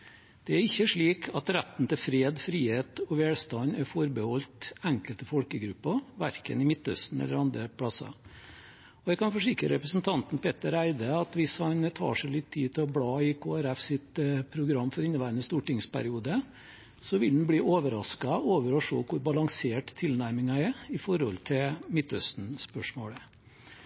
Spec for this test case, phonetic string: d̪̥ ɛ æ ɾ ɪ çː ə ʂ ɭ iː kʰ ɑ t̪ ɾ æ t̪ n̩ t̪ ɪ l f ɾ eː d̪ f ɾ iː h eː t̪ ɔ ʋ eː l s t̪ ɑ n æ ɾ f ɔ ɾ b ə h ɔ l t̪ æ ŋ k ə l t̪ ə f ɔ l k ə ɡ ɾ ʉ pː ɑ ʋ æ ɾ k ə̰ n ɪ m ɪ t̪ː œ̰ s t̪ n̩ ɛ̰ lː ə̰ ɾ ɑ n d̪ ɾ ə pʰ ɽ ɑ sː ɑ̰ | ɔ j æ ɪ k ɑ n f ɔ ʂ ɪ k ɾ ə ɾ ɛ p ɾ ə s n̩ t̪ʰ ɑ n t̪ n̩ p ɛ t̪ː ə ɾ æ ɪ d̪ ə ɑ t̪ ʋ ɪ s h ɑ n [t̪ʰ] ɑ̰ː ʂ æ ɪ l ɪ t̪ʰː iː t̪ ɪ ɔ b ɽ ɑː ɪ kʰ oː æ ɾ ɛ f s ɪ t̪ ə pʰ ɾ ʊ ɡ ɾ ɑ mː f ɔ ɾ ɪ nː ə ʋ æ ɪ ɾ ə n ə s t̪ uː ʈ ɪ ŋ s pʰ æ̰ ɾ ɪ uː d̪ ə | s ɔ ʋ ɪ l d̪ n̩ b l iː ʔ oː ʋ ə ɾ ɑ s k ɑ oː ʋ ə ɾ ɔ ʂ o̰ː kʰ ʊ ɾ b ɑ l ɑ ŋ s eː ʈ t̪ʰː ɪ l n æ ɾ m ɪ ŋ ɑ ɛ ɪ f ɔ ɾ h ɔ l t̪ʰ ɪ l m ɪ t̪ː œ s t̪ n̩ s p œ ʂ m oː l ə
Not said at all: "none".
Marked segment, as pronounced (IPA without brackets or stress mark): t̪ʰ